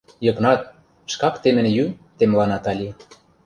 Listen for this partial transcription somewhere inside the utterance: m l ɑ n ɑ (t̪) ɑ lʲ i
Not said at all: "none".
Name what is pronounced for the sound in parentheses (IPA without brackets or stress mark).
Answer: t̪